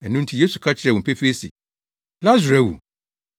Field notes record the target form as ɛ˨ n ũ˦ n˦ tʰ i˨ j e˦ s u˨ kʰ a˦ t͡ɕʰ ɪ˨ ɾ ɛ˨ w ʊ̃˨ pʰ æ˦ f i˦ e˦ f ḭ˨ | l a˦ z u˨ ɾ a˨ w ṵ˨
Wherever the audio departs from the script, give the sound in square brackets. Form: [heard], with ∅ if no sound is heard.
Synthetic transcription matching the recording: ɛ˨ n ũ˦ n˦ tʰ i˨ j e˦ s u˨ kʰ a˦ t͡ɕʰ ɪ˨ ɾ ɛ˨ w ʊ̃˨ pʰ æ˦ f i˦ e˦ [s] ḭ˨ | l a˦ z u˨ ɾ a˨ w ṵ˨